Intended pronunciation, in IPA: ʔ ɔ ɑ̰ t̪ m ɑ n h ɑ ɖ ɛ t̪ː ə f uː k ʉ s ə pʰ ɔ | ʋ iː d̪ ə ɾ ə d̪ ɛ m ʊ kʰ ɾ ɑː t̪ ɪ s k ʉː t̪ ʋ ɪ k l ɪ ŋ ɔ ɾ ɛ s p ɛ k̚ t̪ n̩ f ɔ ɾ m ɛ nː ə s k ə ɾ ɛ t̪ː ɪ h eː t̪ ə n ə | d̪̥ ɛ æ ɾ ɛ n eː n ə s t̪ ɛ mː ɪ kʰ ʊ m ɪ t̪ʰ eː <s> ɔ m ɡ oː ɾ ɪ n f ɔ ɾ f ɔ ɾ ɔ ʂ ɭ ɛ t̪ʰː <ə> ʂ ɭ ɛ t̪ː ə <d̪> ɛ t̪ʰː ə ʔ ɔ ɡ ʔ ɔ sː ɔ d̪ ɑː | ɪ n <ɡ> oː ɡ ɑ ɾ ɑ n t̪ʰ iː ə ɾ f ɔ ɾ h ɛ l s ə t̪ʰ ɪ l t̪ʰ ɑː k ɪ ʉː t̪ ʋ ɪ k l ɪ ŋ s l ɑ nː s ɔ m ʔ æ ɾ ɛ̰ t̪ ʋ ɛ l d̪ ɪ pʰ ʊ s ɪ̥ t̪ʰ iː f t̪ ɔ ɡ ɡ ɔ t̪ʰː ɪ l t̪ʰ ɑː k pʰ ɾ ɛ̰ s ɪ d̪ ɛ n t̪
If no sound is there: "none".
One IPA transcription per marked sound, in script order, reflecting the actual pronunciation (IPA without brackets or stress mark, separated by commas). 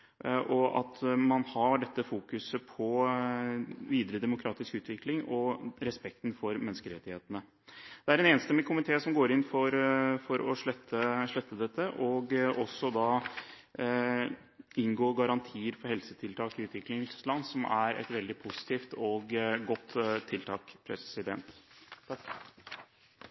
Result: s, ə, d̪, ɡ